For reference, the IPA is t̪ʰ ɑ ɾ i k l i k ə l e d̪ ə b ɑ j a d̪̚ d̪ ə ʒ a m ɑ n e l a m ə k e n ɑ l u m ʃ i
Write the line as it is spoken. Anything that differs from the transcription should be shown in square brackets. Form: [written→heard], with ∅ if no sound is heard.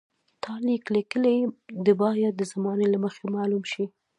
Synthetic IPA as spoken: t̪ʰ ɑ [ɾ→l] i k l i k ə l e d̪ ə b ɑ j a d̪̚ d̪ ə [ʒ→z] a m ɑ n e l a m ə [k→x] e [n→m] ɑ l u m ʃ i